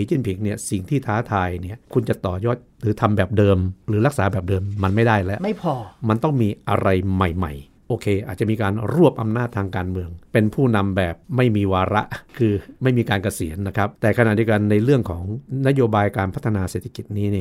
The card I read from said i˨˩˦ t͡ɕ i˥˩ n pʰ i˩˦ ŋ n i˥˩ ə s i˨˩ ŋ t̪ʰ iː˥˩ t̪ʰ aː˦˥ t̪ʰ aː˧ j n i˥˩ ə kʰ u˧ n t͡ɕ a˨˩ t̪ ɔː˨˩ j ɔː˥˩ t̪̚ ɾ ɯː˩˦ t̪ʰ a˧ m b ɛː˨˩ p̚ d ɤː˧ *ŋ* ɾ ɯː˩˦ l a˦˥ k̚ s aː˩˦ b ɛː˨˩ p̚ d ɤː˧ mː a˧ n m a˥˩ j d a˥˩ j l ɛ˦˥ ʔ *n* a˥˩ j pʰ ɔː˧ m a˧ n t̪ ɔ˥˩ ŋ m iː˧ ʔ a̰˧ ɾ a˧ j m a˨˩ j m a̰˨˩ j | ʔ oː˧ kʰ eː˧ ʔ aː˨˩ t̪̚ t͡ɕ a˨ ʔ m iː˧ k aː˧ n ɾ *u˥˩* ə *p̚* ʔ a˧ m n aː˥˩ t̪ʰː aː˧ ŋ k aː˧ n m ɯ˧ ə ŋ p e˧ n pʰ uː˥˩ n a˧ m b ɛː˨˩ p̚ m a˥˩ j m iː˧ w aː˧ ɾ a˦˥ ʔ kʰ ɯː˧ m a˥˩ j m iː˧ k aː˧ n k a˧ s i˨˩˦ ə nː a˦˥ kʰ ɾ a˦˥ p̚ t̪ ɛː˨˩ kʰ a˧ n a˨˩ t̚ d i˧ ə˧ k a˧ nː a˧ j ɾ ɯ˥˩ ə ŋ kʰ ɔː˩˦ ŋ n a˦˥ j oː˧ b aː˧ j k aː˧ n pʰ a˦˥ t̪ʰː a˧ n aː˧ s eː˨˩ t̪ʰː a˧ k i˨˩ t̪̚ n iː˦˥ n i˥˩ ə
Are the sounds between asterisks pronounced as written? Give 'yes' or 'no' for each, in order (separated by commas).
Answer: no, no, yes, yes